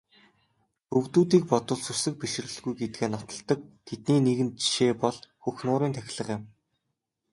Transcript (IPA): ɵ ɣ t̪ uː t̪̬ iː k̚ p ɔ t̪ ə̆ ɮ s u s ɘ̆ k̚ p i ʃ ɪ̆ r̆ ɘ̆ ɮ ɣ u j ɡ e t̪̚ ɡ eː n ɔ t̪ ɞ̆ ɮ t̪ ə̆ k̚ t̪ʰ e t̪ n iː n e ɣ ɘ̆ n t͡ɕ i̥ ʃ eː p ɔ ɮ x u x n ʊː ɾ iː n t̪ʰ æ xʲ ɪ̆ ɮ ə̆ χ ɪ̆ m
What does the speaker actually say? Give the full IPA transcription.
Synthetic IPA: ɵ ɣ t̪ uː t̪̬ iː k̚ p ɔ t̪ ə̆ ɮ s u s ɘ̆ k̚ p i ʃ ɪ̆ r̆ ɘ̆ ɮ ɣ u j ɡ e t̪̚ ɡ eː n ɔ t̪ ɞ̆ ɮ t̪ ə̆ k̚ t̪ʰ e t̪ n iː n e ɣ ɘ̆ n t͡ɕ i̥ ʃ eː p ɔ ɮ x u x n ʊː ɾ iː n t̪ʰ æ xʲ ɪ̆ ɮ ə̆ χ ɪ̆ m

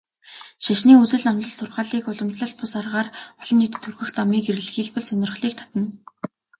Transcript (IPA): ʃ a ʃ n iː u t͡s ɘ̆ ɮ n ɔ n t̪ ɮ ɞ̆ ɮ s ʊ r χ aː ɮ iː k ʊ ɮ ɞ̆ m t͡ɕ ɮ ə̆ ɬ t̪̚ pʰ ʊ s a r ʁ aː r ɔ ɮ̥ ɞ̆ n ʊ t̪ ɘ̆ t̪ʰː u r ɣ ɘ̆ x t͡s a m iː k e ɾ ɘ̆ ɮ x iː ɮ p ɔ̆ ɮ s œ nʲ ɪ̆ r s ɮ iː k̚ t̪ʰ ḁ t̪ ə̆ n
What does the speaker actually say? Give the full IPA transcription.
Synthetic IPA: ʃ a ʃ n iː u t͡s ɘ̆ ɮ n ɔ n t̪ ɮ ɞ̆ ɮ s ʊ r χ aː ɮ iː k ʊ ɮ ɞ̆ m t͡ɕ ɮ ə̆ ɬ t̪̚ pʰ ʊ s a r ʁ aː r ɔ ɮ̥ ɞ̆ n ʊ t̪ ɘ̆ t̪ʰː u r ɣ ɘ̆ x t͡s a m iː k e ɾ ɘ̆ ɮ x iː ɮ p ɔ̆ ɮ s œ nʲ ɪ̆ r χ ɮ iː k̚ t̪ʰ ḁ t̪ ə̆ n

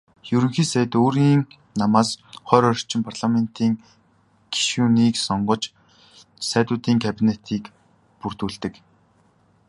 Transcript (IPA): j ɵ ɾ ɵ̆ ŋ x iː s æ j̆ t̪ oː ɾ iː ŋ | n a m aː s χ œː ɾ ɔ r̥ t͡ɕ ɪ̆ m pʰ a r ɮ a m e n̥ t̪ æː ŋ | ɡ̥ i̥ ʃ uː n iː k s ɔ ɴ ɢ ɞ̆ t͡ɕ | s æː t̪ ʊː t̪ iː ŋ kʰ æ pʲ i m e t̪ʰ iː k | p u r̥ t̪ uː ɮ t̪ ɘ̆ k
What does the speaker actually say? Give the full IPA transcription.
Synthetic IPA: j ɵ ɾ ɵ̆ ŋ x iː s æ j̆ t̪ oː ɾ iː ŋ | n a m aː s χ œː ɾ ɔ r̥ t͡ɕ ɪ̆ m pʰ a r ɮ a m e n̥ t̪ iː ŋ | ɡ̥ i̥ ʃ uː n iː k s ɔ ɴ ɢ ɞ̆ t͡ɕ | s æː t̪ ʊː t̪ iː ŋ kʰ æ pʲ i n e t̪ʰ iː k | p u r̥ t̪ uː ɮ t̪ ɘ̆ k

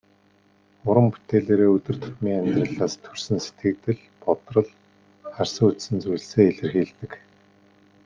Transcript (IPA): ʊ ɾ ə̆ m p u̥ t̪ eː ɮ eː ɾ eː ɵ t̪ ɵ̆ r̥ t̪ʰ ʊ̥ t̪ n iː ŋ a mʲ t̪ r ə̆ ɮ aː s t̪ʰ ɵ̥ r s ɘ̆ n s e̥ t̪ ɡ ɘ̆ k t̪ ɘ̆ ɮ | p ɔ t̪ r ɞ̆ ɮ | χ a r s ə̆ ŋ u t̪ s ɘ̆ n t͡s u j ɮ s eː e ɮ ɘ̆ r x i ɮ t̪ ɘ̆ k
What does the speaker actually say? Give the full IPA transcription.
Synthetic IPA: ʊ ɾ ə̆ m p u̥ t̪ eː ɮ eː ɾ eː ɵ t̪ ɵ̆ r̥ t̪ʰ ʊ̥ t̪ m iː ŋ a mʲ t̪ r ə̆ ɮ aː s t̪ʰ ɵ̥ r s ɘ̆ n s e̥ t̪ ɡ ɘ̆ k t̪ ɘ̆ ɮ | p ɔ t̪ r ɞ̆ ɮ | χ a r s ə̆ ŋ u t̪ s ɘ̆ n t͡s u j ɮ s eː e ɮ ɘ̆ r x iː ɮ t̪ ɘ̆ k

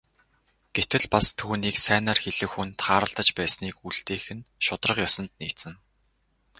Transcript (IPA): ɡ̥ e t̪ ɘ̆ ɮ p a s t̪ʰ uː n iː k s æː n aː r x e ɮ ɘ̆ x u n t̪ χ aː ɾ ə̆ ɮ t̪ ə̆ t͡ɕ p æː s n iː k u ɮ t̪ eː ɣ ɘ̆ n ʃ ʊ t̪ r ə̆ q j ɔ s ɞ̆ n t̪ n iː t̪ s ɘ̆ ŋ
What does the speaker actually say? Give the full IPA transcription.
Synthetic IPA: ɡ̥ e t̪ ɘ̆ ɮ p a s t̪ʰ uː n iː k s æː n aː r x e ɮ ɘ̆ x u n t̪ χ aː ɾ ə̆ ɮ t̪ ə̆ t͡ɕ p æː s n iː k u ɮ t̪ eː x ɘ̆ n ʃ ʊ t̪ r ə̆ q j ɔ s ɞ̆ n t̪ n iː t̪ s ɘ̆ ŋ

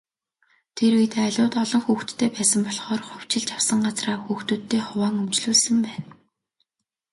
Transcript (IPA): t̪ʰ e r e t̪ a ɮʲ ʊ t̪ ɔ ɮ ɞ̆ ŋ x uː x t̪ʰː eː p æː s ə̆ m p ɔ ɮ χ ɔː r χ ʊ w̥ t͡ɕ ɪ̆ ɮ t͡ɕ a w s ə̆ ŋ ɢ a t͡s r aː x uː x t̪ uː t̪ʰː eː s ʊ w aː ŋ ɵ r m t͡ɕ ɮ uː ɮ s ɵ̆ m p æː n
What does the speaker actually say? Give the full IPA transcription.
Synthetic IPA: t̪ʰ e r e t̪ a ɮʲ ʊː t̪ ɔ ɮ ɞ̆ ŋ x uː x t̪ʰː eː p æː s ə̆ m p ɔ ɮ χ ɔː r χ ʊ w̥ t͡ɕ ɪ̆ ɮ t͡ɕ a w s ə̆ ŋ ɢ a t͡s r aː x uː x t̪ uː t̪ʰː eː χ ʊ w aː ŋ ɵ m t͡ɕ ɮ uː ɮ s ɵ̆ m p æː n

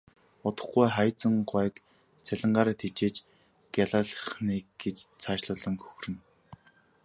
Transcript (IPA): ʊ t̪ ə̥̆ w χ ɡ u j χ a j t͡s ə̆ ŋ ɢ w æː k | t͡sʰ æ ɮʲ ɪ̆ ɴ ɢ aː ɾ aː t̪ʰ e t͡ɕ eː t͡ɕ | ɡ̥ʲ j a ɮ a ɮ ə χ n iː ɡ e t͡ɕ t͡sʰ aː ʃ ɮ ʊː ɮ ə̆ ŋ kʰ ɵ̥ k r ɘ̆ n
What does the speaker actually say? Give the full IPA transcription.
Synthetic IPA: ʊ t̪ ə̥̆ χ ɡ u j χ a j t͡s ə̆ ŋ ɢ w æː k | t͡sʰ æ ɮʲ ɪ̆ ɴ ɢ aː ɾ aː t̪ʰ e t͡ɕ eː t͡ɕ | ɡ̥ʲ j a ɮ a ɮ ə χ n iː ɡ e t͡ɕ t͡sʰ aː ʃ ɮ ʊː ɮ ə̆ ŋ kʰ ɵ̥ x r ɘ̆ n

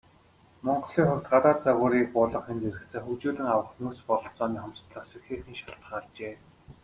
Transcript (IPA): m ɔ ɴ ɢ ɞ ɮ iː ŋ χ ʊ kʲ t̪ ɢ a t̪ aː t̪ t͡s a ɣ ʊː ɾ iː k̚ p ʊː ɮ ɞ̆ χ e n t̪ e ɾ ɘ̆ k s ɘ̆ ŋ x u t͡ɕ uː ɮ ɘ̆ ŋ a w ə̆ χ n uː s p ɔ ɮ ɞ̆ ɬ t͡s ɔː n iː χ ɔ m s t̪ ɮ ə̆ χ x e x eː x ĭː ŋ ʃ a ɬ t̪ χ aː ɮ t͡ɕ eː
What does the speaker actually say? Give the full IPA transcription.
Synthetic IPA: m ɔ ɴ ɢ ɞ ɮ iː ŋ χ ʊ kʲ t̪ ɢ a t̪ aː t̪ t͡s a ɣ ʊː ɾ iː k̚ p ʊː ɮ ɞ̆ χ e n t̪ e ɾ ɘ̆ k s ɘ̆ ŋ x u t͡ɕ uː ɮ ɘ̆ ŋ a w ə̆ χ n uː s p ɔ ɮ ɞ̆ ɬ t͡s ɔː n iː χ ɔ m s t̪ ɮ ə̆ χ s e x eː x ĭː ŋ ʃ a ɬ t̪ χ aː ɮ t͡ɕ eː

